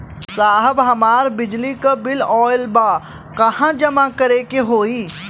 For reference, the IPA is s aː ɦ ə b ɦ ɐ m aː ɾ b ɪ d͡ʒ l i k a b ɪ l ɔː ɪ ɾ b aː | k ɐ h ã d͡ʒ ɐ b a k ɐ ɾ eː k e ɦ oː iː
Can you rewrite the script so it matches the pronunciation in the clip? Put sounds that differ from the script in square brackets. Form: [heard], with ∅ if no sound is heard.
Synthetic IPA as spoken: s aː ɦ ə b ɦ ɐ m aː ɾ b ɪ d͡ʒ l i k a b ɪ l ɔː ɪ [l] b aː | k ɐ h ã d͡ʒ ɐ [m] a k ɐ ɾ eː k e ɦ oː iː

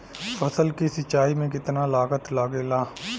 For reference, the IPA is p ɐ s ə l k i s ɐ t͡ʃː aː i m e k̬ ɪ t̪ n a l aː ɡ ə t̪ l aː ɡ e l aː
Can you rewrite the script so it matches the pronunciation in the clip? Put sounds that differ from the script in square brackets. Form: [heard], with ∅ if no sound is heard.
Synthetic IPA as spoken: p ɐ s ə l k i s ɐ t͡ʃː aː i m [ẽ] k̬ ɪ t̪ n a l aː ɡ ə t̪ l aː ɡ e l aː

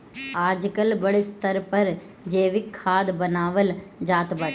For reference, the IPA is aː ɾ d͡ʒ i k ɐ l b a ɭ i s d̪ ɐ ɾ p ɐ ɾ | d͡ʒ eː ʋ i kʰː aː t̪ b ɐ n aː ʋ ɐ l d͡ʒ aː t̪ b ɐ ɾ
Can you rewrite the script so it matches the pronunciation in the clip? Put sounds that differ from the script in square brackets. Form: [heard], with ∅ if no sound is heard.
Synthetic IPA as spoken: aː ɾ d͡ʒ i k ɐ l b [ɐ] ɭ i s [t̪] ɐ ɾ p ɐ ɾ | d͡ʒ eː ʋ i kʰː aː [d̪] b ɐ n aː ʋ ɐ l d͡ʒ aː t̪ b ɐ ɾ

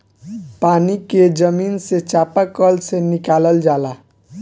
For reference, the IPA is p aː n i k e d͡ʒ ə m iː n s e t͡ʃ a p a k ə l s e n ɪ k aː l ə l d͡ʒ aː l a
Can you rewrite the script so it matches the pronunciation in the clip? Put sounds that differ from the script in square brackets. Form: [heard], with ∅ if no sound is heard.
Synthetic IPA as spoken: p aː n i k e d͡ʒ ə m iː n s e t͡ʃ a p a k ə l s e n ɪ k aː l ə l d͡ʒ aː l a

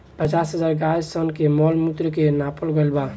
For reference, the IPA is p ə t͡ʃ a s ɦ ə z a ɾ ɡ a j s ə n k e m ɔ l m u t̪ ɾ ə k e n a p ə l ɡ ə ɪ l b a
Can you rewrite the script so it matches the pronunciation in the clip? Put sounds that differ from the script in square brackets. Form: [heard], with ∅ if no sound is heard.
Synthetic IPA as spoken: p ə t͡ʃ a s ɦ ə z a ɾ ɡ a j s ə n k e m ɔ l m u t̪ ɾ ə k e n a p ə l ɡ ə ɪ l b a

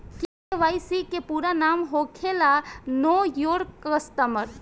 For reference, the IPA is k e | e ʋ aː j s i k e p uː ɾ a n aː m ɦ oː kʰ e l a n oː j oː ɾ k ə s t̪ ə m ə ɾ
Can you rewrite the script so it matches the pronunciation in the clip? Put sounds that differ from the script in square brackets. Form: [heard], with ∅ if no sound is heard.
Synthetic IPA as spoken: k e | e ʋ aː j s i k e p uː ɾ a n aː m ɦ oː kʰ e l a n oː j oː ɾ k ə s t̪ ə m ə ɾ

